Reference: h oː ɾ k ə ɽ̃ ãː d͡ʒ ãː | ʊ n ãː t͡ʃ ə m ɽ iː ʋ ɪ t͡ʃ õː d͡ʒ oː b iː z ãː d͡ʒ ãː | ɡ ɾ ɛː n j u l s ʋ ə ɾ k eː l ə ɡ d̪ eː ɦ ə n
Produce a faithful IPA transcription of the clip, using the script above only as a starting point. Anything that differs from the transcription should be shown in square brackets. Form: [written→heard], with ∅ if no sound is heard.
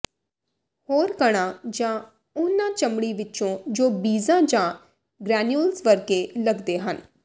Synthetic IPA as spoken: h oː ɾ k ə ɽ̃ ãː d͡ʒ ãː | ʊ n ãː t͡ʃ ə m ɽ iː ʋ ɪ t͡ʃ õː d͡ʒ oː b iː z ãː d͡ʒ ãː | ɡ ɾ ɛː n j u l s ʋ ə ɾ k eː l ə ɡ d̪ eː ɦ ə n